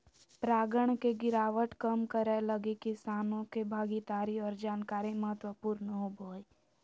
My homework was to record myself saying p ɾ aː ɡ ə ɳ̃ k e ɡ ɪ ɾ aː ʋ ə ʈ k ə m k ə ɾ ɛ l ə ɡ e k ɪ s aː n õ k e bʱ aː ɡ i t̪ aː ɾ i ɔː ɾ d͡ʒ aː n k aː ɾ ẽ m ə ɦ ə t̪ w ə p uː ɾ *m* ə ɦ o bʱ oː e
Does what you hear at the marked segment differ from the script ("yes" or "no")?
yes